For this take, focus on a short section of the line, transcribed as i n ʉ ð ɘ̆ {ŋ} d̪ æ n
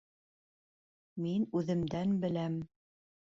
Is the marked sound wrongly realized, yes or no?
yes